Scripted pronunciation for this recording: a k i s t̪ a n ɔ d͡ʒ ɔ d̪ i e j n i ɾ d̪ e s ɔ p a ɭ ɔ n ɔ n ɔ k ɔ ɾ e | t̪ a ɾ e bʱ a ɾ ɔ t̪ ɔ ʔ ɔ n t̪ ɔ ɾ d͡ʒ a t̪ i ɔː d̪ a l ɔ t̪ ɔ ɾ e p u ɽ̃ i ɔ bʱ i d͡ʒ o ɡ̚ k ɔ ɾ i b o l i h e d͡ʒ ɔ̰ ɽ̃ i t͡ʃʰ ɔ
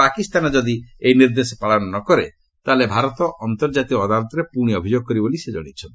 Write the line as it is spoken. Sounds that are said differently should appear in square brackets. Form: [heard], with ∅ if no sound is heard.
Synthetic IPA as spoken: a k i s t̪ a n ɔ d͡ʒ ɔ d̪ i e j n i ɾ d̪ e s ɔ p a ɭ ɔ n ɔ n ɔ k ɔ ɾ e | t̪ a [l] e bʱ a ɾ ɔ t̪ ɔ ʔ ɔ n t̪ ɔ ɾ d͡ʒ a t̪ i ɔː d̪ a l ɔ t̪ ɔ ɾ e p u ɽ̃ i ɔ bʱ i d͡ʒ o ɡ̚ k ɔ ɾ i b o l i [s] e d͡ʒ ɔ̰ ɽ̃ i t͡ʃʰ ɔ